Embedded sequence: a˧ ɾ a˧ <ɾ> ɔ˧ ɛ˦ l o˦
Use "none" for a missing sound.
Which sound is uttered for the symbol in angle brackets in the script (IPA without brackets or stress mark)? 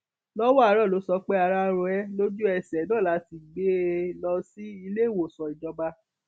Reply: ɾ